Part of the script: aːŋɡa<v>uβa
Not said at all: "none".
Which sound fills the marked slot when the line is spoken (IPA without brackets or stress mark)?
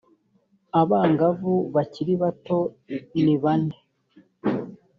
v